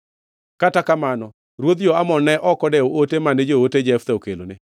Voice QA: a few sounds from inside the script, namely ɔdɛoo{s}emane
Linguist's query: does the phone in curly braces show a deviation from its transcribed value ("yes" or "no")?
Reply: yes